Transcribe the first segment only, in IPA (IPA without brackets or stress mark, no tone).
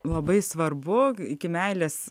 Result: lˠ